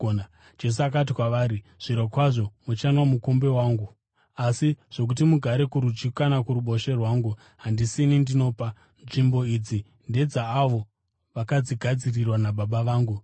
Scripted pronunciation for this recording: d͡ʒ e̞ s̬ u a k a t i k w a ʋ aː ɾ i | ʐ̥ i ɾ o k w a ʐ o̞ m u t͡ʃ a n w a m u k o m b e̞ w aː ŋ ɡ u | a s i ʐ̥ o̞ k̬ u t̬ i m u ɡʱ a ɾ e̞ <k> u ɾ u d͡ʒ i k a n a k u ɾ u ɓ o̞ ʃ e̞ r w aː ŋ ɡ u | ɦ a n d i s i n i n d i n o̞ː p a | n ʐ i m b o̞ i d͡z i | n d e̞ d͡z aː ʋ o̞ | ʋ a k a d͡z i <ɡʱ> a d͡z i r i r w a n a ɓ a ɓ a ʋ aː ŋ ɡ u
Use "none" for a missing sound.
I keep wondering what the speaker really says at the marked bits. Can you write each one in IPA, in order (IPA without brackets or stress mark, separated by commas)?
k, ɡʱ